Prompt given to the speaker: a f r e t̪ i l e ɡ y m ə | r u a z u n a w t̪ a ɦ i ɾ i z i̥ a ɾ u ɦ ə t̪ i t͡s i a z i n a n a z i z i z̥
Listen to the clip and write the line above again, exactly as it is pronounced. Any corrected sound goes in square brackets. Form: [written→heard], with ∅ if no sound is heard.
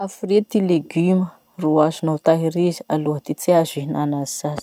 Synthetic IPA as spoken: a f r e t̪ i l e ɡ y m ə | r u a z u n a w t̪ a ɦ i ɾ i z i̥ a [ɾ→l] u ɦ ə t̪ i t͡s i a z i n a n a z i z [i→a] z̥